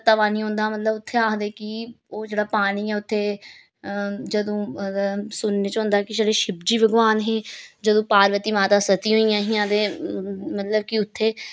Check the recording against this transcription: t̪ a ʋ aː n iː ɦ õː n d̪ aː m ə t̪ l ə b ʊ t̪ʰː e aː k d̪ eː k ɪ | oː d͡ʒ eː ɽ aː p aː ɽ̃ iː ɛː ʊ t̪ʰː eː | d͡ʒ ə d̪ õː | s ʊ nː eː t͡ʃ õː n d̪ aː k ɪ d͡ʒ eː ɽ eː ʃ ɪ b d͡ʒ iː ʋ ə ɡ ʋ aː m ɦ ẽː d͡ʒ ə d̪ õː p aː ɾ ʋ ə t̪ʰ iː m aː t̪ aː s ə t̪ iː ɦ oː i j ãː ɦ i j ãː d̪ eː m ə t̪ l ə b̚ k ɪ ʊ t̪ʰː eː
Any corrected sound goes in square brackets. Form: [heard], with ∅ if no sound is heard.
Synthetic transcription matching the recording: t̪ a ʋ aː n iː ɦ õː n d̪ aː m ə t̪ l ə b ʊ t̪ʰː e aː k d̪ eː k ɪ | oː d͡ʒ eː ɽ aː p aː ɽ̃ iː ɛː ʊ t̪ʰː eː | d͡ʒ ə d̪ õː | s ʊ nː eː t͡ʃ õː n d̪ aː k ɪ d͡ʒ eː ɽ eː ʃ ɪ b d͡ʒ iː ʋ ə ɡ ʋ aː [n] ɦ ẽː d͡ʒ ə d̪ õː p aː ɾ ʋ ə [t̪] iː m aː t̪ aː s ə t̪ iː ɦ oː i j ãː ɦ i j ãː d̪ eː m ə t̪ l ə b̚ k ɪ ʊ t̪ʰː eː

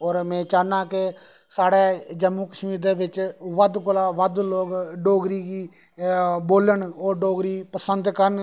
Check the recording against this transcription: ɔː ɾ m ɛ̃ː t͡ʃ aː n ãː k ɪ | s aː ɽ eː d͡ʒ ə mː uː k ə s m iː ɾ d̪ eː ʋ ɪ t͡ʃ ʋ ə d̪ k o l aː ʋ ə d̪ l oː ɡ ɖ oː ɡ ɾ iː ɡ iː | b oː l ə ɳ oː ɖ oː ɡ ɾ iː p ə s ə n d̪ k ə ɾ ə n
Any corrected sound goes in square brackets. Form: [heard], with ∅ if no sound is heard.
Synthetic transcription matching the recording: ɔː ɾ m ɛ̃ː t͡ʃ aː n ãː k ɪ | s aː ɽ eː d͡ʒ ə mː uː k ə [ʃ] m iː ɾ d̪ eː ʋ ɪ t͡ʃ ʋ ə d̪ k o l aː ʋ ə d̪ l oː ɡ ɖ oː ɡ ɾ iː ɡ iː | b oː l ə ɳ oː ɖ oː ɡ ɾ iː p ə s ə n d̪ k ə ɾ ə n

